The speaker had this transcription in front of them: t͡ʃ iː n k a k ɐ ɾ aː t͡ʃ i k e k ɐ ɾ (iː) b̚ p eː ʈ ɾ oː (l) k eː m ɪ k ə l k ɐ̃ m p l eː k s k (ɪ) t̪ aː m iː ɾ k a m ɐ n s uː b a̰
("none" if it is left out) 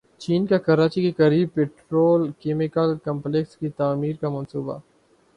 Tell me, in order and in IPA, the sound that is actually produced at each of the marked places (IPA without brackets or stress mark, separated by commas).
iː, l, i